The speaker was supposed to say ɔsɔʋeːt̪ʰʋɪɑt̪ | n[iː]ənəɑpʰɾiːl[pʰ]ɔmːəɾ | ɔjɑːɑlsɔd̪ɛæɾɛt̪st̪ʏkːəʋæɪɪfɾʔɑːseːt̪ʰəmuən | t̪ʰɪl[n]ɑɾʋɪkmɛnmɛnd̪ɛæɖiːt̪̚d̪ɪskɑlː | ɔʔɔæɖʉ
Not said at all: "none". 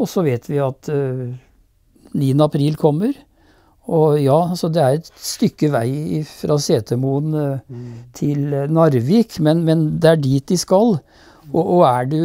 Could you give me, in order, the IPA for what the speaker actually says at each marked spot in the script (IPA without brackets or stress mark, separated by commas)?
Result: iː, kʰ, n